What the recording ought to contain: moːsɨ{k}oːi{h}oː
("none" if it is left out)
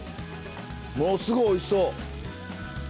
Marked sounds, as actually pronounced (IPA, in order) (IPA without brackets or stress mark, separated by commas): ɡ, s